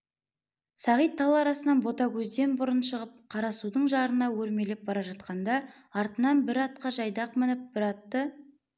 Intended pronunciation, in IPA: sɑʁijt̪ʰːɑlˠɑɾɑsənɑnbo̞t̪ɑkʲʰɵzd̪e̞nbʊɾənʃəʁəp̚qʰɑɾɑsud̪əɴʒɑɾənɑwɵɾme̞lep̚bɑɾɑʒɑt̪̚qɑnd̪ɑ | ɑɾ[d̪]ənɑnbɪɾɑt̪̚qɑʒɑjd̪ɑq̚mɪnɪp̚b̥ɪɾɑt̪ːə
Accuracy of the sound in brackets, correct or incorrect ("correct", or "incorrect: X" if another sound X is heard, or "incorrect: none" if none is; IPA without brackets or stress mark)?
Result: incorrect: t̪